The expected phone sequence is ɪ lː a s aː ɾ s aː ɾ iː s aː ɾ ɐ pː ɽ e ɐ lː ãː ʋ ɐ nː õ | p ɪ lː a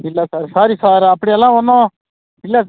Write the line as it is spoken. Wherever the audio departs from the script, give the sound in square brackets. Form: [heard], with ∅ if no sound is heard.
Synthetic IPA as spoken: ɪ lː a s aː ɾ s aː ɾ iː s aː ɾ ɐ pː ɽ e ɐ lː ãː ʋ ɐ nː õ | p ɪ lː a

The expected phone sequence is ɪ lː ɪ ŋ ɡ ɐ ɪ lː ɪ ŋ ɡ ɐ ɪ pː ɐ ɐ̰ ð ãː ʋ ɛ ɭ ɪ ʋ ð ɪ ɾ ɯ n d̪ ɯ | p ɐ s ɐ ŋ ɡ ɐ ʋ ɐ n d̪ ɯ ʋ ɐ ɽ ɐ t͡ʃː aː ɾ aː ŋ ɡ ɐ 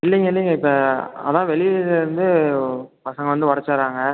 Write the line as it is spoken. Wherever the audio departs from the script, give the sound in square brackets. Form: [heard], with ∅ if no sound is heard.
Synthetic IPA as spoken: ɪ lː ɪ ŋ ɡ ɐ ɪ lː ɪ ŋ ɡ ɐ ɪ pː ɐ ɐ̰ ð ãː ʋ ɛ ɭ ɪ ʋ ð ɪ ɾ ɯ n d̪ ɯ | p ɐ s ɐ ŋ ɡ ɐ ʋ ɐ n d̪ ɯ ʋ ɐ ɽ ɐ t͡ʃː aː ɾ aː ŋ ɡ ɐ

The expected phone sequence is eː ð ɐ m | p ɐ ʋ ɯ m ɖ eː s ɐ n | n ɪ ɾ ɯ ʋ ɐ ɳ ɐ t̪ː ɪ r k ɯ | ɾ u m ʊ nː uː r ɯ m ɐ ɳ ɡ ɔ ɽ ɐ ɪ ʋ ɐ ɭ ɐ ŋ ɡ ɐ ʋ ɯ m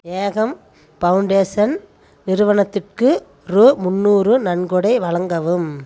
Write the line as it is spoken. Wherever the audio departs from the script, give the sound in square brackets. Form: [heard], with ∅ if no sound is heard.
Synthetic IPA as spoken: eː [ɣ] ɐ m | p ɐ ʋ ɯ [ɳ] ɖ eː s ɐ n | n ɪ ɾ ɯ ʋ ɐ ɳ ɐ t̪ː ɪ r k ɯ | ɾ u m ʊ nː uː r ɯ [n] ɐ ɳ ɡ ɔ ɽ ɐ ɪ ʋ ɐ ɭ ɐ ŋ ɡ ɐ ʋ ɯ m

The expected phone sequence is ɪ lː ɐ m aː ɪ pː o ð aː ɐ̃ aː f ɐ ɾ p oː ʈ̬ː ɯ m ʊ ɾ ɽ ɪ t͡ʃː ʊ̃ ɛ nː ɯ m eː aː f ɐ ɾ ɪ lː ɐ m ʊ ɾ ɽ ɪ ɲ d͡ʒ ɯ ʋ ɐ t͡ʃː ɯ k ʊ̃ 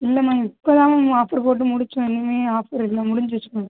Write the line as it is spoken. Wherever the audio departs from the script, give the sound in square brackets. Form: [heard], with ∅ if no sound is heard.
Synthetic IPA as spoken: ɪ lː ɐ m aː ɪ pː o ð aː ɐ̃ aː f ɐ ɾ p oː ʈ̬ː ɯ m ʊ [∅] ɽ ɪ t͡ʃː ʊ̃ ɛ nː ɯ m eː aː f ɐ ɾ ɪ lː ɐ m ʊ [∅] ɽ ɪ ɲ d͡ʒ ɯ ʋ ɐ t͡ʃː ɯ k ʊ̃

